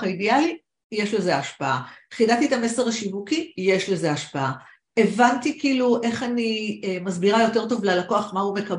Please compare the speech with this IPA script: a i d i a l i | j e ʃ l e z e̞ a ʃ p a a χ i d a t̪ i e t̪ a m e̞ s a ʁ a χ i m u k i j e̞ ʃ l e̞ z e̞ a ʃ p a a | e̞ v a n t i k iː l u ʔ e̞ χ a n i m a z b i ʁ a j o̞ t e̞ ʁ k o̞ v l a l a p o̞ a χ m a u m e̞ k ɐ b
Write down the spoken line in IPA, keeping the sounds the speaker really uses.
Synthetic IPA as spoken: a i d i a l i | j e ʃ l e z e̞ a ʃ p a a χ i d a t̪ i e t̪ a m e̞ s e ʁ a ʃ i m u k i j e̞ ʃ l e̞ z e̞ a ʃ p a a | e̞ v a n t i k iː l u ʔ e̞ χ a n i m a z b i ʁ a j o̞ t e̞ ʁ t o̞ v l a l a k o̞ a χ m a u m e̞ k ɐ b